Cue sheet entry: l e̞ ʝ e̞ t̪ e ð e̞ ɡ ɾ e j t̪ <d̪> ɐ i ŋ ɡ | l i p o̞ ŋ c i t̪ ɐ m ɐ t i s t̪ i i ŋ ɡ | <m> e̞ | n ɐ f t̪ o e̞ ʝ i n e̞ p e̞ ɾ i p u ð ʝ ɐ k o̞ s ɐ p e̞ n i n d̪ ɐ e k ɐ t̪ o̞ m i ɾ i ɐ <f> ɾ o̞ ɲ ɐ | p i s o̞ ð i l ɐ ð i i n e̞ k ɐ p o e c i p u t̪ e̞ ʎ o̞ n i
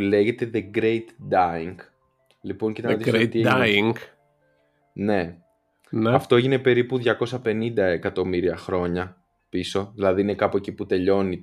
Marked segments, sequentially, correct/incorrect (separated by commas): correct, incorrect, incorrect